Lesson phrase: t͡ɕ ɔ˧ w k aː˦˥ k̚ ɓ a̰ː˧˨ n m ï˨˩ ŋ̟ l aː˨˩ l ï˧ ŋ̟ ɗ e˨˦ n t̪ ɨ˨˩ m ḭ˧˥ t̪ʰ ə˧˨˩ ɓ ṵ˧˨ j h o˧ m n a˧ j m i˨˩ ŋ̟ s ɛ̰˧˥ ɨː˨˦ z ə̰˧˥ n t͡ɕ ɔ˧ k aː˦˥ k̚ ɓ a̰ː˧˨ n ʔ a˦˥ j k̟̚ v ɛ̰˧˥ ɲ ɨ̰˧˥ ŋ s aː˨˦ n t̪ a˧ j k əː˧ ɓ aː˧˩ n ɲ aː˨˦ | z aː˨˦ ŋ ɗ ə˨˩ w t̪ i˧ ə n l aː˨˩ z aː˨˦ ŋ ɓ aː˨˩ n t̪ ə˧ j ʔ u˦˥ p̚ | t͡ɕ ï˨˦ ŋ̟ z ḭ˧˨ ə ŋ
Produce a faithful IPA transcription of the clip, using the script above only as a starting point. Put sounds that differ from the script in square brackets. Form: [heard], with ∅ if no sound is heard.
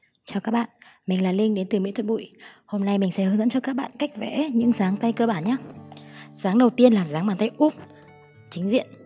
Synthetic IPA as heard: t͡ɕ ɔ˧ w k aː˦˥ k̚ ɓ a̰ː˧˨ n m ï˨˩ ŋ̟ l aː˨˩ l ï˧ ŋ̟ ɗ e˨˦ n t̪ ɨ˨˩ m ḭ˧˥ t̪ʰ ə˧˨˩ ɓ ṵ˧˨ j h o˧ m n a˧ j m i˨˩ ŋ̟ s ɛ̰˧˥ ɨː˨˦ z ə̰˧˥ n t͡ɕ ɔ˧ k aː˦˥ k̚ ɓ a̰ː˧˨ n [k] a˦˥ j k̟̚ v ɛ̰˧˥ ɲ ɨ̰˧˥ ŋ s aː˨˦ [ŋ] t̪ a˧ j k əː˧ ɓ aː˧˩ n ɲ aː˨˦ | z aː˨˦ ŋ ɗ ə˨˩ w t̪ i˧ ə n l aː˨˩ z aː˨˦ ŋ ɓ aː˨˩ n t̪ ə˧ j ʔ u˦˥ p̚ | t͡ɕ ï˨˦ ŋ̟ z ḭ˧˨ ə [n]